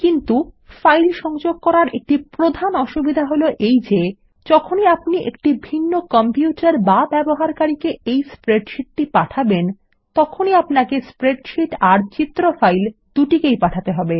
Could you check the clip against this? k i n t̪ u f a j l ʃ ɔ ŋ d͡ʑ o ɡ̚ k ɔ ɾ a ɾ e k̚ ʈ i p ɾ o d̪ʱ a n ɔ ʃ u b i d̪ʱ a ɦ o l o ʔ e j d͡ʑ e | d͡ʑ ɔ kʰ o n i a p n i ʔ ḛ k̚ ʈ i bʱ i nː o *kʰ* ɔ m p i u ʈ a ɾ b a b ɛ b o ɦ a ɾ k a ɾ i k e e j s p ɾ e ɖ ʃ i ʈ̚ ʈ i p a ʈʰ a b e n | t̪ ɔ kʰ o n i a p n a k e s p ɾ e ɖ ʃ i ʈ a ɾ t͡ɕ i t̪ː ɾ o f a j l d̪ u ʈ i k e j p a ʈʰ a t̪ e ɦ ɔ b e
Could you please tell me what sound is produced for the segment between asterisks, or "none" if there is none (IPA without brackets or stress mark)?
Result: k